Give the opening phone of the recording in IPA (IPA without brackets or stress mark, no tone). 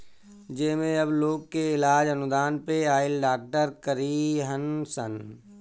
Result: d͡ʒ